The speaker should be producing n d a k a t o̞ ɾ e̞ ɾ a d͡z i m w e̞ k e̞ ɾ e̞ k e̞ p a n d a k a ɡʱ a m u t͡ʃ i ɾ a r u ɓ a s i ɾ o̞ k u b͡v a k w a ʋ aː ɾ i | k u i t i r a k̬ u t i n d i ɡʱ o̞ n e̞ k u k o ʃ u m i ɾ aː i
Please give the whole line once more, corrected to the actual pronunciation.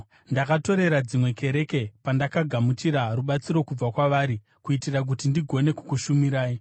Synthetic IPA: n d a k a t o̞ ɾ e̞ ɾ a d͡z i m w e̞ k e̞ ɾ e̞ k e̞ p a n d a k a ɡʱ a m u t͡ʃ i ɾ a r u ɓ a t͡s i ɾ o̞ k u b͡v a k w a ʋ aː ɾ i | k u i t i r a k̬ u t i n d i ɡʱ o̞ n e̞ k u k u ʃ u m i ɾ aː i

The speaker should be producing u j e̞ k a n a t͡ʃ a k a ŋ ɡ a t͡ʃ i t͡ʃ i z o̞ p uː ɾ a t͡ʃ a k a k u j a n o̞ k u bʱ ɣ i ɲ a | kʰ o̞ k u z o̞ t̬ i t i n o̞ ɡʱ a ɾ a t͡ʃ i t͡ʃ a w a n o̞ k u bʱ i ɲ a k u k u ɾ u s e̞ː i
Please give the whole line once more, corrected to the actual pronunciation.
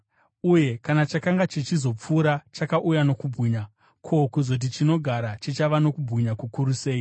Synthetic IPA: u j e̞ k a n a t͡ʃ a k a ŋ ɡ a t͡ʃ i t͡ʃ i z o̞ p͡f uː ɾ a t͡ʃ a k a ʔ u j a n o̞ k u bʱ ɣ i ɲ a | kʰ o̞ k u z o̞ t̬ i t͡ʃ i n o̞ ɡʱ a ɾ a t͡ʃ i t͡ʃ a ʋ a n o̞ k u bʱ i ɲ a k u k u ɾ u s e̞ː i

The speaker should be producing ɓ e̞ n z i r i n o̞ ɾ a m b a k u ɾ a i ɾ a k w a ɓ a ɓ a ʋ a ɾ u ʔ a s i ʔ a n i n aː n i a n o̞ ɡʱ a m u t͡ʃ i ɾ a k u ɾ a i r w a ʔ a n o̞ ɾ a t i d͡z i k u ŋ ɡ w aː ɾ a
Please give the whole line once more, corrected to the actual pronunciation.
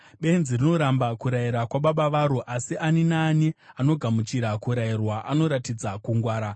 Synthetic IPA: ɓ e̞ n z i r i n o̞ ɾ a m b a k u ɾ a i ɾ a k w a ɓ a ɓ a ʋ a ɾ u ʔ a s i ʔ a n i n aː n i a n o̞ ɡʱ a m u t͡ʃ i ɾ a k u ɾ a i r w a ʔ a n o̞ ɾ a t i d͡z a k u ŋ ɡ w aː ɾ a

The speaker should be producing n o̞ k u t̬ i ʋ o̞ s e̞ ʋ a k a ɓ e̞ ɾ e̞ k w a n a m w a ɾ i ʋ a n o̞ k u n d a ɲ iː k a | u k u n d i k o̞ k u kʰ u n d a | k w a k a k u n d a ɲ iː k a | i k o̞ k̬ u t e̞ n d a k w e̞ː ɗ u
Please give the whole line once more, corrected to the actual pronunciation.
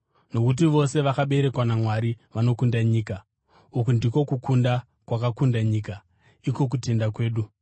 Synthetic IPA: n o̞ k u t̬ i ʋ o̞ s e̞ ʋ a k a ɓ e̞ ɾ e̞ k w a n a m w a ɾ i ʋ a n o̞ k u n d a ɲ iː k a | u k u n d i k o̞ k u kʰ u n d a | k w a k a k u n d a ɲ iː k a | i k o̞ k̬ u t e̞ n d a k w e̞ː ɗ u

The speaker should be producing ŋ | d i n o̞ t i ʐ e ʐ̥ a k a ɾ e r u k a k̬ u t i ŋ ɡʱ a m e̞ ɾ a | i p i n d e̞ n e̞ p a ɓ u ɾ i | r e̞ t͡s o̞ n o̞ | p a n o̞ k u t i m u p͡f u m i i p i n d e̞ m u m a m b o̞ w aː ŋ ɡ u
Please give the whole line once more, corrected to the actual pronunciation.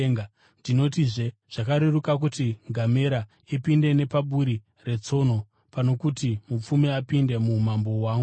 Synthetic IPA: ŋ | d i n o̞ t i ʐ e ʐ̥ a k a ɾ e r u k a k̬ u t i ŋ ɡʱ a m e̞ ɾ a | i p i n d e̞ n e̞ p a ɓ u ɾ i | r e̞ t͡s o̞ n o̞ | p a n o̞ k u t i m u p͡f u m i a p i n d e̞ m u m a m b o̞ w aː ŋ ɡ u

